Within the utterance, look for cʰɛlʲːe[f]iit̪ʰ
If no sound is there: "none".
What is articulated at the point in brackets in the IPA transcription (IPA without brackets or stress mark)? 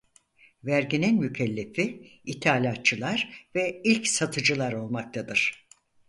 f